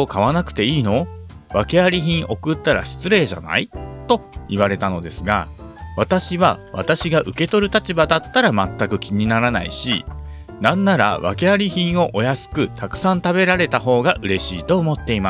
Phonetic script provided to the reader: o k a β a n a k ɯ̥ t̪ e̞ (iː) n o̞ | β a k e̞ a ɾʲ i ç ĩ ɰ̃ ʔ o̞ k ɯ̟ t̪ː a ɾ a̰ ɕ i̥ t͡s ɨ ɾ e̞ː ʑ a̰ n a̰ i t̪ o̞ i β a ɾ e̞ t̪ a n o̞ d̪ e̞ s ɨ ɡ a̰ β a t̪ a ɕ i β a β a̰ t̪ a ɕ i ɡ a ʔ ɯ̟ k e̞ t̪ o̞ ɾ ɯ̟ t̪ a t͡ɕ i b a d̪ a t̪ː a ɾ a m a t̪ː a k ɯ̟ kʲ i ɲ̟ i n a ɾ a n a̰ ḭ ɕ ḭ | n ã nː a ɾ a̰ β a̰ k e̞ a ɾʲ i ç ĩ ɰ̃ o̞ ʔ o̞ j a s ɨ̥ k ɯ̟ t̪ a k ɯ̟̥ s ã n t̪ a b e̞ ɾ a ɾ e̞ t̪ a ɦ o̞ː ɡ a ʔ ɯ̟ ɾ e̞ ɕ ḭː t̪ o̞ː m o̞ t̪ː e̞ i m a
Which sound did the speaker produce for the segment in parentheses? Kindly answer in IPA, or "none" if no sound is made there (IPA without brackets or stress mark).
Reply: iː